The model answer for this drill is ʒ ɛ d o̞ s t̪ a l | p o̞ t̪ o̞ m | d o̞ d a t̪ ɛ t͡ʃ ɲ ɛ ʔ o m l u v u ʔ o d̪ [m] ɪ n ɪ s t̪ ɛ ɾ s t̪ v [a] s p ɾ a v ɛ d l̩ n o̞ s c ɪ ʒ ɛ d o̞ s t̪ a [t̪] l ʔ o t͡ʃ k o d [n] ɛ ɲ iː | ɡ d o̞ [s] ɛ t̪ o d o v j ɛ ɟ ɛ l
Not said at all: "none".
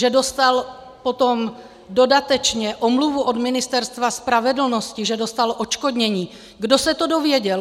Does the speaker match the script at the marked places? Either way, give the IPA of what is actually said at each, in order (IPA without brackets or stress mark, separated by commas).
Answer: m, a, none, ɲ, s